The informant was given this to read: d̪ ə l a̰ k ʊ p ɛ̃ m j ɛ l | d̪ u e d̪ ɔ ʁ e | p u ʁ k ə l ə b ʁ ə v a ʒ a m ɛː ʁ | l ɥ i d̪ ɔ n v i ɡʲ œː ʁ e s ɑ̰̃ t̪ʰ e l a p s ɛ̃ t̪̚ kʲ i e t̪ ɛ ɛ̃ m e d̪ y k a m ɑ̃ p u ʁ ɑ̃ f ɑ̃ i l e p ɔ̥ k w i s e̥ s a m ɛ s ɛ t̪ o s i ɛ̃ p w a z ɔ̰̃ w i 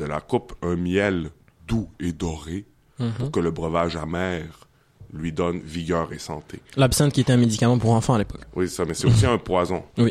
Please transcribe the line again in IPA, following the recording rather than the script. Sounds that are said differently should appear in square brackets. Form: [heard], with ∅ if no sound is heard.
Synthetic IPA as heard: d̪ ə l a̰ k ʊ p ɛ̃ m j ɛ l | d̪ u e d̪ ɔ ʁ e | p u ʁ k ə l ə b ʁ ə v a ʒ a m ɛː ʁ | l ɥ i d̪ ɔ n v i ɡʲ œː ʁ e s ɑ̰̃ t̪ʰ e l a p s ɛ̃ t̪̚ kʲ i e t̪ ɛ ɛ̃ m e d̪ [i] k a m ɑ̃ p u ʁ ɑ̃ f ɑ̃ [a] l e p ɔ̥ k w i s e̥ s a m ɛ s ɛ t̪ o s i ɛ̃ p w a z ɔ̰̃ w i